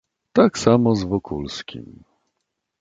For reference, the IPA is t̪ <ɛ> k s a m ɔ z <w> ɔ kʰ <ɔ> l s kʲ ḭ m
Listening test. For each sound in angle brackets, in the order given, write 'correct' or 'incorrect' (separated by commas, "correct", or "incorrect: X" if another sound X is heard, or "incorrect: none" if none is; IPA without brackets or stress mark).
incorrect: a, incorrect: v, incorrect: u